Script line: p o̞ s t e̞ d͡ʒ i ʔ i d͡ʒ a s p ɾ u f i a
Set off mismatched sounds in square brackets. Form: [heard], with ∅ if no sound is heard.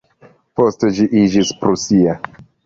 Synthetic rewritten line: p o̞ s t e̞ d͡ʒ i ʔ i d͡ʒ [i] s p ɾ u [s] i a